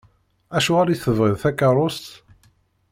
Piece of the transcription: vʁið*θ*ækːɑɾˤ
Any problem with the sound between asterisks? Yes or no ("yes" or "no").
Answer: no